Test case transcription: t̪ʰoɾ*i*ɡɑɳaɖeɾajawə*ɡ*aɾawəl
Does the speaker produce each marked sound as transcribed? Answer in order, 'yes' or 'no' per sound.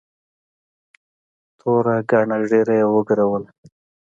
no, yes

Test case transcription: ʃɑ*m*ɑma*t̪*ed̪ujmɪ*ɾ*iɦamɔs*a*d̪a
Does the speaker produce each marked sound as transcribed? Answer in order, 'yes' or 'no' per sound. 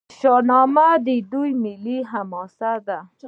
no, no, no, yes

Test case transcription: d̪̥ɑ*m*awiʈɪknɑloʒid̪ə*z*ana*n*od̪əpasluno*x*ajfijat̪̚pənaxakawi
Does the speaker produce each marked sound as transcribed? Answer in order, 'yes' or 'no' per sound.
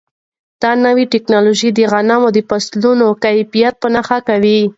no, no, no, no

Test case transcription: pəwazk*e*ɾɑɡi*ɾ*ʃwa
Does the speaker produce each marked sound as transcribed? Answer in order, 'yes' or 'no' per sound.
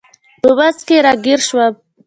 yes, yes

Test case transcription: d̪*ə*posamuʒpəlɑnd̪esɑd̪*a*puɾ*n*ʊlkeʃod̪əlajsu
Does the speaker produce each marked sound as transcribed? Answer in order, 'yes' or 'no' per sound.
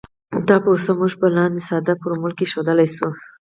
no, yes, no

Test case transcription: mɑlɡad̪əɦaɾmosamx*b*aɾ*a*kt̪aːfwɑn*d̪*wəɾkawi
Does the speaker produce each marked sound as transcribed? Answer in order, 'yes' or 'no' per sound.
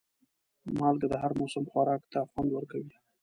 no, no, yes

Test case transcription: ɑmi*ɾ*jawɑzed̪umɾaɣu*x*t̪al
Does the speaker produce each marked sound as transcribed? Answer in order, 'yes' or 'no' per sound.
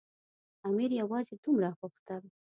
yes, yes

